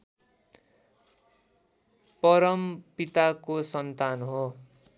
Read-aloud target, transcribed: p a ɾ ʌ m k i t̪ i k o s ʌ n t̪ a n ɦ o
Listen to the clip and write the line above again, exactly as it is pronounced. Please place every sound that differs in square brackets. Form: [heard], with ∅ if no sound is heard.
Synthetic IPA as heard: p [ʌ] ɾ ʌ m [p] i t̪ [a] k o s ʌ n t̪ a n ɦ o